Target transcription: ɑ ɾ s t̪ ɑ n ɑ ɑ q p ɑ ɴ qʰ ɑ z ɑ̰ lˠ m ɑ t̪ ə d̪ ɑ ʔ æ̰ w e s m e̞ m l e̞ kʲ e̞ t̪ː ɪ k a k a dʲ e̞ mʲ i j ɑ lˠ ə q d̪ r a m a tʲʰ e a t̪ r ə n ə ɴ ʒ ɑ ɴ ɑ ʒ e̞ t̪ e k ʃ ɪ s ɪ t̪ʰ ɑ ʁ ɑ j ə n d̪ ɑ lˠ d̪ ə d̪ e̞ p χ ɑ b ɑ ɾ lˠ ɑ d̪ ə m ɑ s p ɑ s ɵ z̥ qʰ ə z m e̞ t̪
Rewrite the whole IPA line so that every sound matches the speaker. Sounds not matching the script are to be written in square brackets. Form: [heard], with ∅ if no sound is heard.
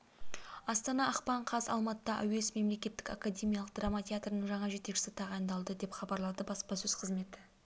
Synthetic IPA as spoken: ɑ [∅] s t̪ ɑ n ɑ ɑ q p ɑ ɴ qʰ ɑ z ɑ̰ lˠ m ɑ t̪ ə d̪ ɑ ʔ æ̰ w e s m e̞ m l e̞ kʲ e̞ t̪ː ɪ k a k a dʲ e̞ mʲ i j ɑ lˠ ə q d̪ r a m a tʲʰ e a t̪ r ə n ə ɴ ʒ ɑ ɴ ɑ ʒ e̞ t̪ e k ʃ ɪ s ɪ t̪ʰ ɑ ʁ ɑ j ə n d̪ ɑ lˠ d̪ ə d̪ e̞ p χ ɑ b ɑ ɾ lˠ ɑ d̪ ə [b] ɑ s p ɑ s ɵ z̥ qʰ ə z m e̞ t̪